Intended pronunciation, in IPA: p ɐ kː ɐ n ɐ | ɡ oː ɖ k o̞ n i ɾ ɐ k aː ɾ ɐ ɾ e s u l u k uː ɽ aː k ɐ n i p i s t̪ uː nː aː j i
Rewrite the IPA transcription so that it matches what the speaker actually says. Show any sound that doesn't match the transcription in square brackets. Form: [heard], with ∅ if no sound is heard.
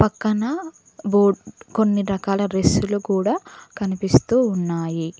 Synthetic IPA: p ɐ kː ɐ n ɐ | [b] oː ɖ k o̞ [nː] i ɾ ɐ k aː [l] ɐ ɾ e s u l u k uː ɽ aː k ɐ n i p i s t̪ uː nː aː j i